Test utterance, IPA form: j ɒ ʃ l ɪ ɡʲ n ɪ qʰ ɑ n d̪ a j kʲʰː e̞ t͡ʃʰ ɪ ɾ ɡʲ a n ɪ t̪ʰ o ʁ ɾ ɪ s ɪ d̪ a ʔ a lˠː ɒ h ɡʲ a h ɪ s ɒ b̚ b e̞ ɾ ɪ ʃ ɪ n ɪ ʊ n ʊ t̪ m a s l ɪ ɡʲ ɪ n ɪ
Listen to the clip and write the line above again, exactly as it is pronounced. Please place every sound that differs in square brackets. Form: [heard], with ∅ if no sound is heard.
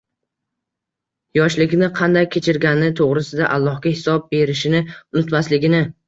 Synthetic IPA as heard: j ɒ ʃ l ɪ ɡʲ n ɪ qʰ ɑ n d̪ a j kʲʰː e̞ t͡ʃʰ ɪ ɾ ɡʲ a n ɪ t̪ʰ o ʁ ɾ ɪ s ɪ d̪ a ʔ a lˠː ɒ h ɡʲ a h ɪ s ɒ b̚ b e̞ ɾ ɪ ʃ ɪ n ɪ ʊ n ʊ t̪ m a s l ɪ ɡʲ ɪ n ɪ